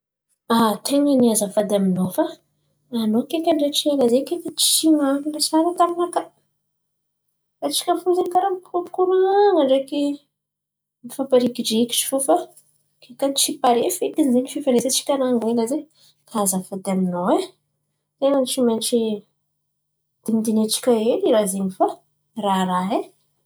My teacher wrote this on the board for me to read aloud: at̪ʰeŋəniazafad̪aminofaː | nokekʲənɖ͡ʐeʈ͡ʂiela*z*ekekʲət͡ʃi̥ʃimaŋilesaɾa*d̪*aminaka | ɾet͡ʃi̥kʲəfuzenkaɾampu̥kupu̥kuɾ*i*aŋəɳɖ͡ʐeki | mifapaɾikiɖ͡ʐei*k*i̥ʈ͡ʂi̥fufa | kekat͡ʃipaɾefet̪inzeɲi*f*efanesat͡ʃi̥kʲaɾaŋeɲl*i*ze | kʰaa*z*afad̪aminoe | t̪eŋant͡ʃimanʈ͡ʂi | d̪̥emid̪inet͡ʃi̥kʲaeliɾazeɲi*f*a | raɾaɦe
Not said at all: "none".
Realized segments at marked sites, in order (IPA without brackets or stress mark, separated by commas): z, t̪, a, k, f, a, z, f